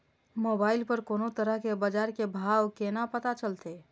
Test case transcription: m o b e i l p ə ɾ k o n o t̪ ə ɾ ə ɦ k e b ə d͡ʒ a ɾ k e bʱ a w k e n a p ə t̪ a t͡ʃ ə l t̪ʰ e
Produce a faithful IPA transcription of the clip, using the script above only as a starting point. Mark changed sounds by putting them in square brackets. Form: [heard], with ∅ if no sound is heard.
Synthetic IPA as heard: m o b [a] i l p ə ɾ k o n o t̪ ə ɾ ə ɦ k e b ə d͡ʒ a ɾ k e bʱ a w k e n a p ə t̪ a t͡ʃ ə l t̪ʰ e